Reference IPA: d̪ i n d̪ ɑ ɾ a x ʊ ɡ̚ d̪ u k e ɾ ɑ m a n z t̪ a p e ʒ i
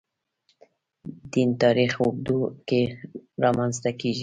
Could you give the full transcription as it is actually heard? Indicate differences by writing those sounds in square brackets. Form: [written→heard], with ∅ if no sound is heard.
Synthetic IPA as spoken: d̪ i n [d̪→t̪] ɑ ɾ [a→i] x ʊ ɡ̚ d̪ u k e ɾ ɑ m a n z t̪ a [p→k] e ʒ i